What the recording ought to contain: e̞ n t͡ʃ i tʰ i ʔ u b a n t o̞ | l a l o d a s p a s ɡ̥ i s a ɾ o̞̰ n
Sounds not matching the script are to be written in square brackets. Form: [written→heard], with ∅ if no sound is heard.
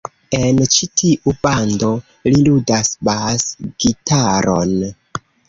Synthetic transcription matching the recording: e̞ n t͡ʃ i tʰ i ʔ u b a n [t→d] o̞ | l [a→i] l [o→u] d a s [p→b] a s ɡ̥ i [s→t] a ɾ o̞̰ n